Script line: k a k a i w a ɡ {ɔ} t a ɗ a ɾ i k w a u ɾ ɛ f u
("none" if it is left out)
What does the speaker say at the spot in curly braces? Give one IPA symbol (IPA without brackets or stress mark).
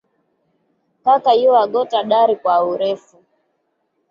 ɔ